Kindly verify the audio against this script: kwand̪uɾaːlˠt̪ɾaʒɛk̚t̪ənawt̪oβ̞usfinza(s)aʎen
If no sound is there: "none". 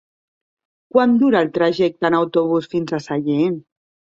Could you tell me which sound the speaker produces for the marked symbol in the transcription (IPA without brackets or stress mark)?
s